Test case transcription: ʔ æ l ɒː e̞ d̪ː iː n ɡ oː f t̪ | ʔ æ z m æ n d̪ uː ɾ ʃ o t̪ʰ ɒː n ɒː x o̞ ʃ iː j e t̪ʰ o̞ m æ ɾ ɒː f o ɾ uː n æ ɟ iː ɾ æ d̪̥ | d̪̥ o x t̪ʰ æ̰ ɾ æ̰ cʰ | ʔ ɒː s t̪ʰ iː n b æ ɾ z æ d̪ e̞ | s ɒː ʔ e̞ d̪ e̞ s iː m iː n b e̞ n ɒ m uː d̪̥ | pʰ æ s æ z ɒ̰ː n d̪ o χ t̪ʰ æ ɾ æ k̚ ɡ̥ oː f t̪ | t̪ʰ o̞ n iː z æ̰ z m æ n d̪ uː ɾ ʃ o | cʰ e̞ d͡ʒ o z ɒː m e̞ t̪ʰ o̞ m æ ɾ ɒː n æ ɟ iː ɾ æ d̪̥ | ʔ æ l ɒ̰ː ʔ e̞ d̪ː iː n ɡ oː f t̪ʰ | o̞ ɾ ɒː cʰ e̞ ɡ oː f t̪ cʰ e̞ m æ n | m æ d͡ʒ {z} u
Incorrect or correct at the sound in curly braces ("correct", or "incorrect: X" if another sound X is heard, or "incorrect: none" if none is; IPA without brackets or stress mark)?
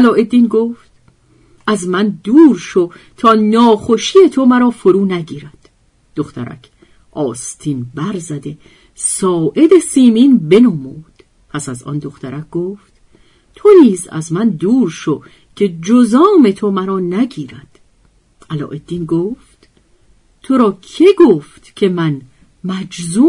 correct